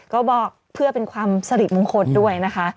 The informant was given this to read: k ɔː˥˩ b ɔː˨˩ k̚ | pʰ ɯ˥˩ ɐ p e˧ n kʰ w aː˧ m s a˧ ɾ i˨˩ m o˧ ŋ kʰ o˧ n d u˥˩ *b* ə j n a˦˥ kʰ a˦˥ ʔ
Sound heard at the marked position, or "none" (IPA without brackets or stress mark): none